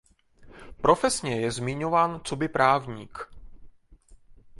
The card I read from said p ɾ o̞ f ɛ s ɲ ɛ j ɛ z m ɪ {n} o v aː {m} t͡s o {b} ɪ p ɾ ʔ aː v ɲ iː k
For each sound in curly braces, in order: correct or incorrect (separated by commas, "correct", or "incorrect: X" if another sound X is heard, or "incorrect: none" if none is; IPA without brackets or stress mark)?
incorrect: ɲ, incorrect: n, correct